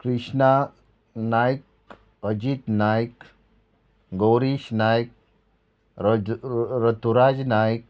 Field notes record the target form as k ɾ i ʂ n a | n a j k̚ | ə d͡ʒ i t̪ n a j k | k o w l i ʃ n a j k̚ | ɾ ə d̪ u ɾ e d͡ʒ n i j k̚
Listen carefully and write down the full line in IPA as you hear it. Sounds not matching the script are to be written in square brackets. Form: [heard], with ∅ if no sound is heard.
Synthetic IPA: k ɾ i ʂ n a | n a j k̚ | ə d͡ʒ i t̪ n a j k | [ɡ] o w [ɾ] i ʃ n a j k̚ | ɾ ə [t̪] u ɾ [a] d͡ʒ n [a] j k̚